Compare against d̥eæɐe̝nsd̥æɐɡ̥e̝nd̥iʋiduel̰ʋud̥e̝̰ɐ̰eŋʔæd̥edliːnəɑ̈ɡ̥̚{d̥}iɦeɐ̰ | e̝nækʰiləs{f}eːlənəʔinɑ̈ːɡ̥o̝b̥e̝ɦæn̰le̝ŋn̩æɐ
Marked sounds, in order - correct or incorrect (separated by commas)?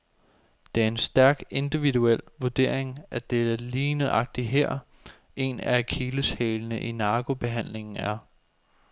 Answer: correct, incorrect